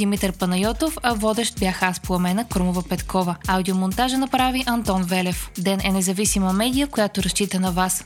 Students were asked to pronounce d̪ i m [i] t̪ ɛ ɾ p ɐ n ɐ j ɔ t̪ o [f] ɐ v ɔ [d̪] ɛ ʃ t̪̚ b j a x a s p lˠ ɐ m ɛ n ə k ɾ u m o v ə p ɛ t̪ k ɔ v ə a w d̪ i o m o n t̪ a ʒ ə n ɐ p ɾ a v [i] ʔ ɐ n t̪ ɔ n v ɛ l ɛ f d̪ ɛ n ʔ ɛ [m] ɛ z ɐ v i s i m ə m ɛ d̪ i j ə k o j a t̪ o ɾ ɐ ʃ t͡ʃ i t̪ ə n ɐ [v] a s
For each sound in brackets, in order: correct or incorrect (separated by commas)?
correct, correct, correct, correct, incorrect, correct